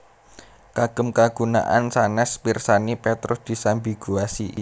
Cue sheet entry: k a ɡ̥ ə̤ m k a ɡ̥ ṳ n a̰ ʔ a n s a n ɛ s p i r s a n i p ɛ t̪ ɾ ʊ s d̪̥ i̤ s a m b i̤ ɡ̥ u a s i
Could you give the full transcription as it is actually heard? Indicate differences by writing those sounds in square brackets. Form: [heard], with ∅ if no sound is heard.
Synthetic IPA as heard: k a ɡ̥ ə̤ m k a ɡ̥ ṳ n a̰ ʔ a n s a n ɛ s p i r s a n i p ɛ t̪ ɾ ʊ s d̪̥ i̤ s a m b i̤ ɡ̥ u a s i